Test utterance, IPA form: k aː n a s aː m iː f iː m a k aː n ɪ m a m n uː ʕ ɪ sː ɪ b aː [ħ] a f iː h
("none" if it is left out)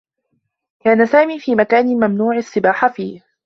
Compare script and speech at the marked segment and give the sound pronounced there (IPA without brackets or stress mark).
ħ